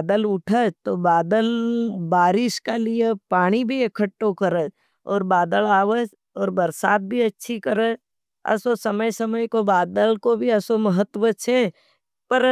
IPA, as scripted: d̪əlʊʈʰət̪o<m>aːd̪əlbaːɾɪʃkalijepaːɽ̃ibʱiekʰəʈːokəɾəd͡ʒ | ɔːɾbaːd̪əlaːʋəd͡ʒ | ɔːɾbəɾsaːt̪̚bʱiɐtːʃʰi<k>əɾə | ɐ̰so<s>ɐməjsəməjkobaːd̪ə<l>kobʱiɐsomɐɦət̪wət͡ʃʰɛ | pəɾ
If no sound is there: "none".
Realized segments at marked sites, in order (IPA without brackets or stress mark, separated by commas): b, k, s, l